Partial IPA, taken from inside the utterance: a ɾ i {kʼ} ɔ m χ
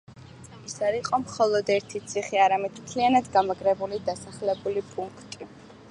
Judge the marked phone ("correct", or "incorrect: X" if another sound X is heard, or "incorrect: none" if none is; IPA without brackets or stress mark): incorrect: qʼ